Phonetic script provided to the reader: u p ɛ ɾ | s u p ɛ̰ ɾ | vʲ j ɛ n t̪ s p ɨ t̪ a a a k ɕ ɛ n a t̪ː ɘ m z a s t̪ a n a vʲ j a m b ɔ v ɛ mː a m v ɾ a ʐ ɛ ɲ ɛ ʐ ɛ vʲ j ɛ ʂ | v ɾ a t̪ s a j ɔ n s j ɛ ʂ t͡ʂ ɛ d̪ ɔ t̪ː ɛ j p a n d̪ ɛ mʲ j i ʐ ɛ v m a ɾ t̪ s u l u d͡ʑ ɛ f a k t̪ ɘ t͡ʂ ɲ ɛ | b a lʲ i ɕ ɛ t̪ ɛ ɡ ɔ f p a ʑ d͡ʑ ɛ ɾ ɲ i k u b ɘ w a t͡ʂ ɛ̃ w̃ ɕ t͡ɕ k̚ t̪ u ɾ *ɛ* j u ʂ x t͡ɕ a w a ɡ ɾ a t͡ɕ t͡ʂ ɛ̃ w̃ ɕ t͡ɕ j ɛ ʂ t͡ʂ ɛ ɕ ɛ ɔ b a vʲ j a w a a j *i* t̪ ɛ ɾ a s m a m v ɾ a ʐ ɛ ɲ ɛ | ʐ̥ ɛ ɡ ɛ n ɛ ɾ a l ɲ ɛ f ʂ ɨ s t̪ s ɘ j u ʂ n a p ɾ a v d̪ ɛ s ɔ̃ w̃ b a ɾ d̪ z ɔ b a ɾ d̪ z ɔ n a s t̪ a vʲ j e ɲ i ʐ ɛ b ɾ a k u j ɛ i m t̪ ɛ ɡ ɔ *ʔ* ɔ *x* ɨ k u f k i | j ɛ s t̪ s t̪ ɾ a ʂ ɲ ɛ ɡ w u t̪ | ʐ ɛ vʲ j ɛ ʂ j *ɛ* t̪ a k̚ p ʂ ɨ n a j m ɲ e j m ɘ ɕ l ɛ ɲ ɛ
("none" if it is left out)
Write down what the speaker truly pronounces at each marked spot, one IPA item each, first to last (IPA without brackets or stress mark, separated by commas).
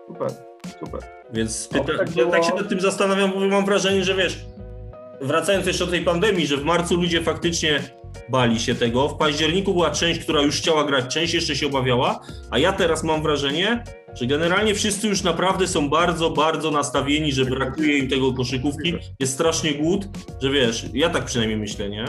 a, a, k, ʂ, a